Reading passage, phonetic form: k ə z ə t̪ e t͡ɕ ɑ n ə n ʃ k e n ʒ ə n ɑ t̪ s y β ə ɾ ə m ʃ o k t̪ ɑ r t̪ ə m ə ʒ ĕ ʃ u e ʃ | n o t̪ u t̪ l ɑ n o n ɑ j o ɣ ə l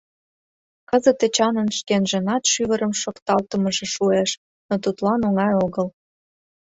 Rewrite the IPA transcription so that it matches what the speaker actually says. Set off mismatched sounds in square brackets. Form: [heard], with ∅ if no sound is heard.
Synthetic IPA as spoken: k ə z ə t̪ e t͡ɕ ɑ n ə n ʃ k e n ʒ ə n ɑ t̪ [ʃ] y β ə ɾ ə m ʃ o k t̪ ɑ [l] t̪ ə m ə ʒ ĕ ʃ u e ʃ | n o t̪ u t̪ l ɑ n o [ŋ] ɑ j o ɣ ə l